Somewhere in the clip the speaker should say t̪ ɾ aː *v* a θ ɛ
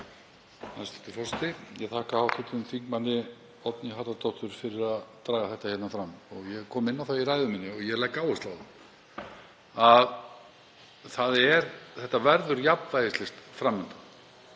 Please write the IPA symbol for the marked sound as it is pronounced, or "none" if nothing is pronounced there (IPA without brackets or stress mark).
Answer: ɣ